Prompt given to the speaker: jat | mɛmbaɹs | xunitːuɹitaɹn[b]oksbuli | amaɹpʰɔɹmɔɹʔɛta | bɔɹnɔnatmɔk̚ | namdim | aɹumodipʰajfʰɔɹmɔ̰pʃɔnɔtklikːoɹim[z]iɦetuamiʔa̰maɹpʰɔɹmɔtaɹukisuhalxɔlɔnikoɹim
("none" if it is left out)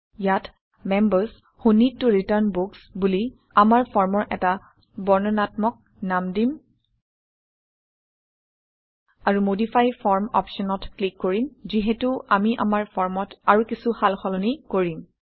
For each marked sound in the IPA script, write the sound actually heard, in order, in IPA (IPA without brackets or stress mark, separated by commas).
b, z